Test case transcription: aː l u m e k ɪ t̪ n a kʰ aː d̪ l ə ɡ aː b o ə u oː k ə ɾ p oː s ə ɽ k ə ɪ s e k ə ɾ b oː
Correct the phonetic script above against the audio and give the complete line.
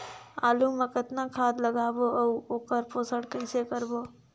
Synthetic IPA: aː l u m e k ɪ t̪ n a kʰ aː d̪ l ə ɡ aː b o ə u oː k ə ɾ p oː s ə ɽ k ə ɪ s e k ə ɾ b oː